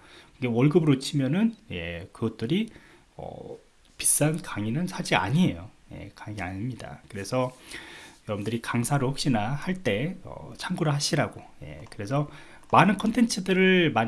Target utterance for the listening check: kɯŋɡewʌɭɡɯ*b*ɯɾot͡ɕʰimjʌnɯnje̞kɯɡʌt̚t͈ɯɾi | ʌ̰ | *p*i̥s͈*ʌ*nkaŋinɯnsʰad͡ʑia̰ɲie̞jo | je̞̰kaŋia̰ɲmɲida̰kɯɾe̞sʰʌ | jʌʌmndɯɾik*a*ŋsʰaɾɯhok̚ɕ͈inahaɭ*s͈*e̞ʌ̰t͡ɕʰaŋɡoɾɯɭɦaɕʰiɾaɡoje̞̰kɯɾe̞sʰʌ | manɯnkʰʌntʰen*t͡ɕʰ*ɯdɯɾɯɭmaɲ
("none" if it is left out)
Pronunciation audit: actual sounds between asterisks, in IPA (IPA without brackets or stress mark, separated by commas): b, p, a, a, t͈, t͡ɕʰ